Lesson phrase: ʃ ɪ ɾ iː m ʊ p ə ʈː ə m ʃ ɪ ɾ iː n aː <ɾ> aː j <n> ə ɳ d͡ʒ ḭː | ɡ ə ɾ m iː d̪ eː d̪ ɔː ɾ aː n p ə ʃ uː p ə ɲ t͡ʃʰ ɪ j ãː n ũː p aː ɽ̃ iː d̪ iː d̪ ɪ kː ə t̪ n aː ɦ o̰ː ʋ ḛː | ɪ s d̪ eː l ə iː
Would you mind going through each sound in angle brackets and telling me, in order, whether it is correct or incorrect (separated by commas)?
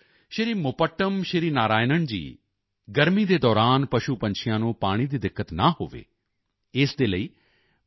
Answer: correct, correct